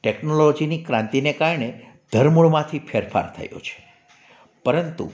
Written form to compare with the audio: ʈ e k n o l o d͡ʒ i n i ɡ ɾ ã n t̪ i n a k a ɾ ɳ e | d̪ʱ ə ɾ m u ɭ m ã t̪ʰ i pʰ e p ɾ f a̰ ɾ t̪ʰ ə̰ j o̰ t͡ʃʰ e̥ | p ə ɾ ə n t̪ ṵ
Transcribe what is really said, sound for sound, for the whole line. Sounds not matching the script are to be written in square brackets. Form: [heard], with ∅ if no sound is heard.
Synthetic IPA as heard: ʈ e k n o l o d͡ʒ i n i [k] ɾ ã n t̪ i n [e] k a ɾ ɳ e | d̪ʱ ə ɾ m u ɭ m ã t̪ʰ i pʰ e [∅] ɾ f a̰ ɾ t̪ʰ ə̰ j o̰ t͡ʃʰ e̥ | p ə ɾ ə n t̪ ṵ